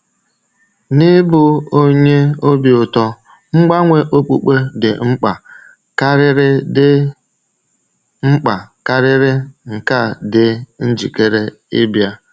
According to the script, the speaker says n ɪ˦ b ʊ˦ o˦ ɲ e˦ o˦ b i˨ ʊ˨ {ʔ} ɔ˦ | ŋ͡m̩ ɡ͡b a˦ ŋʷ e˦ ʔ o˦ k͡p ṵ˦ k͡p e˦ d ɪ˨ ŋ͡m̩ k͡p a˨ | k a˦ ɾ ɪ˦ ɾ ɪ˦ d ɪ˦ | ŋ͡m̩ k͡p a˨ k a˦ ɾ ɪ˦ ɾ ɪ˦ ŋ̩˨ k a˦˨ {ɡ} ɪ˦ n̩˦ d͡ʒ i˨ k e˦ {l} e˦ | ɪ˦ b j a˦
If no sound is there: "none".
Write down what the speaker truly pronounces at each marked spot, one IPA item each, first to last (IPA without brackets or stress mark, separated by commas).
t, d, ɾ